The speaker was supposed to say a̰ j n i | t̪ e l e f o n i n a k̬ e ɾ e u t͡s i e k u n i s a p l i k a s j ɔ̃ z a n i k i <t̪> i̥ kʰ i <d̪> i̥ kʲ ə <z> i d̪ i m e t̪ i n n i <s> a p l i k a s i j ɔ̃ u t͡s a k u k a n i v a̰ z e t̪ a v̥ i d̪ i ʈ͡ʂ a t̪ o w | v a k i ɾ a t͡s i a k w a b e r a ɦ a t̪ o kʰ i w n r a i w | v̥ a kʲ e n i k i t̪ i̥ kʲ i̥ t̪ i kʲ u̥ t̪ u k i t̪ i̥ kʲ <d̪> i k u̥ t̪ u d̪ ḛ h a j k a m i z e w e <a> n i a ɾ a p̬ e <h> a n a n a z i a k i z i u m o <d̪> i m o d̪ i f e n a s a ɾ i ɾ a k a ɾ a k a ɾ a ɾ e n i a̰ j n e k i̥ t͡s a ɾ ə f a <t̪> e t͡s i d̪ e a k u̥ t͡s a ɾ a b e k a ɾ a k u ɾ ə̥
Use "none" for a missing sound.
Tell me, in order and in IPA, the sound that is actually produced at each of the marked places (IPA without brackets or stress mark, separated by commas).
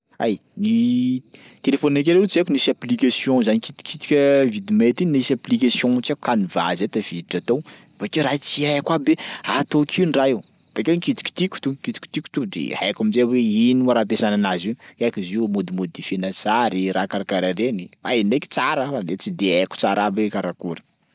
t̪, t̪, v, s, t̪, i, s, d̪, d̪